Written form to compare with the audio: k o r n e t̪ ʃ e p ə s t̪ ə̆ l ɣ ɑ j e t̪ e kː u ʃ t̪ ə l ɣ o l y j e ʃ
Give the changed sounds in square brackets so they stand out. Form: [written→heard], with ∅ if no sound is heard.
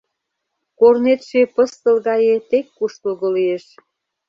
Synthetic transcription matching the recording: k o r n e t̪ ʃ e p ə s t̪ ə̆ l ɣ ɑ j e t̪ e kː u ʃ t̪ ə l ɣ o l [y→i] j e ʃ